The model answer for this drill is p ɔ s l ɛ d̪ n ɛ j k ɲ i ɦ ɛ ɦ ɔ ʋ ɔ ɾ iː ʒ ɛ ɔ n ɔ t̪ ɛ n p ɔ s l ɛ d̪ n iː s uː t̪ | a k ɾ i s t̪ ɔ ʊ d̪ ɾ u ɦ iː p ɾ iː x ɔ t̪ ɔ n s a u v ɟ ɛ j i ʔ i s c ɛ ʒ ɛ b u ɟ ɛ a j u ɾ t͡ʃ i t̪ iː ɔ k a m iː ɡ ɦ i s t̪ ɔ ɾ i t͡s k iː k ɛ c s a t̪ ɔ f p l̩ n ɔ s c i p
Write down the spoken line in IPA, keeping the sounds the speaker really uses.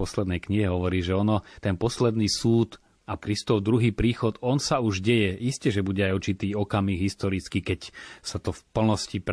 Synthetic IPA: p ɔ s l ɛ d̪ n ɛ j k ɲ i ɦ ɛ ɦ ɔ ʋ ɔ ɾ iː ʒ ɛ ɔ n ɔ t̪ ɛ n p ɔ s l ɛ d̪ n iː s uː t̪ | a k ɾ i s t̪ ɔ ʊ d̪ ɾ u ɦ iː p ɾ iː x ɔ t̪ ɔ n s a u ʒ ɟ ɛ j ɛ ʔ i s c ɛ ʒ ɛ b u ɟ ɛ a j u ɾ t͡ʃ i t̪ iː ɔ k a m iː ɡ ɦ i s t̪ ɔ ɾ i t͡s k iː k ɛ c s a t̪ ɔ f p l̩ n ɔ s c i p